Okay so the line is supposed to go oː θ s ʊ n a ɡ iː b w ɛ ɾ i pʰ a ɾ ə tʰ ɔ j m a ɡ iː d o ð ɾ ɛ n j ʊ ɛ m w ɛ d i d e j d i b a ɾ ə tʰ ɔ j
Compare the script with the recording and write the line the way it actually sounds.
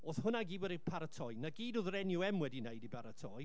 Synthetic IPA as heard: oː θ h ʊ n a ɡ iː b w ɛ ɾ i pʰ a ɾ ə tʰ ɔ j n a ɡ iː d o ð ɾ ɛ n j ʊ ɛ m w ɛ d i n e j d i b a ɾ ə tʰ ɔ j